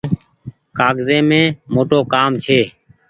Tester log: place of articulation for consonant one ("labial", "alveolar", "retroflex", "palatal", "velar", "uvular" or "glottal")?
velar